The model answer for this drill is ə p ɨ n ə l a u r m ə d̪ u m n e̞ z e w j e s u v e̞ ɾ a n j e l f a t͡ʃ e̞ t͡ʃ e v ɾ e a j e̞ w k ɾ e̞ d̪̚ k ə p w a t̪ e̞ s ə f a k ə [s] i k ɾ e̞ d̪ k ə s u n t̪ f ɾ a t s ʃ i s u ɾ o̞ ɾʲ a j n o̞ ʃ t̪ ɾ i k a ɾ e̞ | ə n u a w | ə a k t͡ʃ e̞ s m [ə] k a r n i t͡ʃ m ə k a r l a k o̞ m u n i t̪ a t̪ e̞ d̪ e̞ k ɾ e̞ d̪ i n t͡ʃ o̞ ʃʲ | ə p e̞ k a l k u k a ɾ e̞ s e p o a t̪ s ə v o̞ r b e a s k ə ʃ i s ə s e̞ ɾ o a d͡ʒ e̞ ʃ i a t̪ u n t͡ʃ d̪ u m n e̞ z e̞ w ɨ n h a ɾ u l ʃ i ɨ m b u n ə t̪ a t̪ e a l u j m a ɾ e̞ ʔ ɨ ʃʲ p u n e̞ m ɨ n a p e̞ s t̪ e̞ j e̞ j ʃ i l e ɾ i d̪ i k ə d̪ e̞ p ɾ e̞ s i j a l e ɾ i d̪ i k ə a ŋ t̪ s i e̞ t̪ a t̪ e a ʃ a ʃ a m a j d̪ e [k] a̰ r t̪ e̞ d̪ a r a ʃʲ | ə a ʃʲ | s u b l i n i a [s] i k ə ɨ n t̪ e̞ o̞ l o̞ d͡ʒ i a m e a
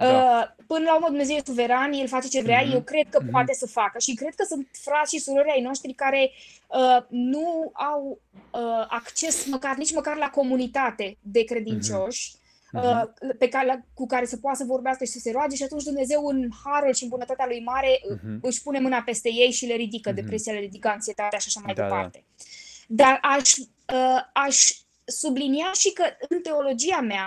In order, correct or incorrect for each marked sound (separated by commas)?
incorrect, correct, incorrect, incorrect